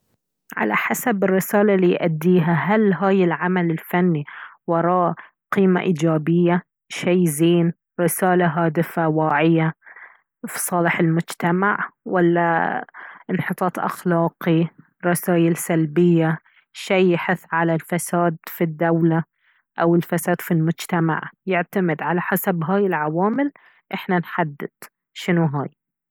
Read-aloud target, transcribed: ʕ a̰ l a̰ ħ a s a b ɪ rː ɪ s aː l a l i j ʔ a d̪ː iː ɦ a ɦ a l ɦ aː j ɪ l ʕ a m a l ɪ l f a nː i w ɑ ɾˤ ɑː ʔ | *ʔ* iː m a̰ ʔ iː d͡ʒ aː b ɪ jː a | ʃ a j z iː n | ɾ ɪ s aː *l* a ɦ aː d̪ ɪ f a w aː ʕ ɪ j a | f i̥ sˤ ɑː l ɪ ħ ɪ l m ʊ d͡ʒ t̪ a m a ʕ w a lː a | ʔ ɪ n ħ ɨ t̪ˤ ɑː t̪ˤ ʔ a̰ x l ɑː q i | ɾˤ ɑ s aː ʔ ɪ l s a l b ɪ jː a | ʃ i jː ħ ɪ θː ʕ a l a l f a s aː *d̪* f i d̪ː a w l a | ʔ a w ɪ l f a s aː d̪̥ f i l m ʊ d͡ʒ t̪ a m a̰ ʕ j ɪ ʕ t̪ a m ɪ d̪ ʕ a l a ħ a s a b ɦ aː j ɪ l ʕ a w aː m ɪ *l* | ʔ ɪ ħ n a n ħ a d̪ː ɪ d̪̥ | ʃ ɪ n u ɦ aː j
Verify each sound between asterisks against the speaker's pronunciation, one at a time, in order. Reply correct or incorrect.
incorrect: q, correct, correct, correct

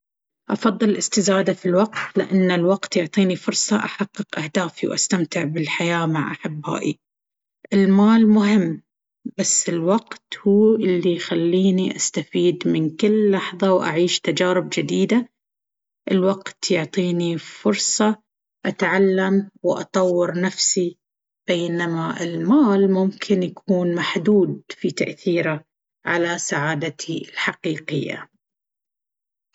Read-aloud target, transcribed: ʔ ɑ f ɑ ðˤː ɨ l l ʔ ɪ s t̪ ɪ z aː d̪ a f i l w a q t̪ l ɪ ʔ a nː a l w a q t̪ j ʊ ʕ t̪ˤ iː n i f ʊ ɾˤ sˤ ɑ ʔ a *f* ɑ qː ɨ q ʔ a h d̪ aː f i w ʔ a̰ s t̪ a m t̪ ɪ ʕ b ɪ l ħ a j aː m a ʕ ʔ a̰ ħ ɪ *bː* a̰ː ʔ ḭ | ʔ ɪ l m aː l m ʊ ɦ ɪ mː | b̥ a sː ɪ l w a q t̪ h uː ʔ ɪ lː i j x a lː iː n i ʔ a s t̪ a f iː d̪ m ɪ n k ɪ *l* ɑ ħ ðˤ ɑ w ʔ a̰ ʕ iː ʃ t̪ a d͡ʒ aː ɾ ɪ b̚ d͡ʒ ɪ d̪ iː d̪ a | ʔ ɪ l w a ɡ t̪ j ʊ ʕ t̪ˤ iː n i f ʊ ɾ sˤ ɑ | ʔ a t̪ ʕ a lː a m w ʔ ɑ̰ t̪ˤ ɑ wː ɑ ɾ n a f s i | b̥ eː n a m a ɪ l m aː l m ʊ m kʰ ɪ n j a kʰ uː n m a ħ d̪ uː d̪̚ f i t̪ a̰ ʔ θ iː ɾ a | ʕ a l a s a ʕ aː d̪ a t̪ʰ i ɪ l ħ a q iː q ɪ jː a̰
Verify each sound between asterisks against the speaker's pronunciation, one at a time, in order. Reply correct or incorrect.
incorrect: ħ, correct, incorrect: lː

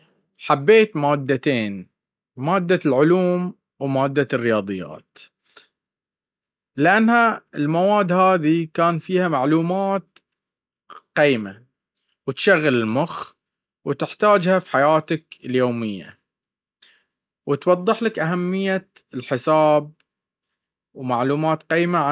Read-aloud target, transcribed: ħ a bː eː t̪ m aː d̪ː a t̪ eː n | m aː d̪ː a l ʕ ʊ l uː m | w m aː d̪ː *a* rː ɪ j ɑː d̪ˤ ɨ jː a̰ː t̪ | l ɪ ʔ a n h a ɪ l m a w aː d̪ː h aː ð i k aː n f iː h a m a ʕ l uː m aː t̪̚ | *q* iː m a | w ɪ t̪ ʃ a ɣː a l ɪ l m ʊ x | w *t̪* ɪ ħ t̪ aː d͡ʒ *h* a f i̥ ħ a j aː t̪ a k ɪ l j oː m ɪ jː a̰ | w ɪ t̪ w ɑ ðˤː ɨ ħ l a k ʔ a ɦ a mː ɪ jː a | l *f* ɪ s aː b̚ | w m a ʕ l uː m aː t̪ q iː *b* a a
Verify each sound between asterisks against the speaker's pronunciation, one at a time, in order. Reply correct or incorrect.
correct, correct, correct, correct, incorrect: ħ, incorrect: m

